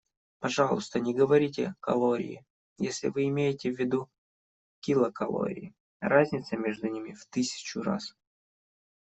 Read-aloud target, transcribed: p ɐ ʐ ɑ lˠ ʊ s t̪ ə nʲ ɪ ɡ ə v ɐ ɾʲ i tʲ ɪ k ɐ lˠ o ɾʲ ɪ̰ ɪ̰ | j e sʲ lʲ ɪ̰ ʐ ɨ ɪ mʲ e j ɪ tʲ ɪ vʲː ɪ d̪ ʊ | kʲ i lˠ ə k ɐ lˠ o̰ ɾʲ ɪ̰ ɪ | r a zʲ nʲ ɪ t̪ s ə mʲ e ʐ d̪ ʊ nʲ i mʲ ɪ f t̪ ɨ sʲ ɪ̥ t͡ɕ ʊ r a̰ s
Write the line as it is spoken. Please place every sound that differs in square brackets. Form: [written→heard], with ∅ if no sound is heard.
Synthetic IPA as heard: p ɐ ʐ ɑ lˠ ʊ s t̪ ə nʲ ɪ ɡ ə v ɐ ɾʲ i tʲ ɪ k ɐ lˠ o ɾʲ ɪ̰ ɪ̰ | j e sʲ lʲ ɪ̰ [ʐ→v] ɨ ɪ mʲ e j ɪ tʲ ɪ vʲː ɪ d̪ [ʊ→u] | kʲ i lˠ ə k ɐ lˠ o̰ ɾʲ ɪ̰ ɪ | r a zʲ nʲ ɪ t̪ s ə mʲ e ʐ d̪ ʊ nʲ i mʲ ɪ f t̪ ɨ sʲ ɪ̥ t͡ɕ ʊ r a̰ s